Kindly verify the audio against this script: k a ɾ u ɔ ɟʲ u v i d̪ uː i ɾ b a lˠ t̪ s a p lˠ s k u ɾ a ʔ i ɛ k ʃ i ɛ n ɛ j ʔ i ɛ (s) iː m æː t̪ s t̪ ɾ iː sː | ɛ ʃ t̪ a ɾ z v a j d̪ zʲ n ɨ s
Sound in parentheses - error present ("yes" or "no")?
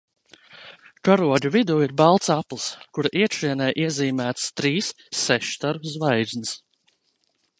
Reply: yes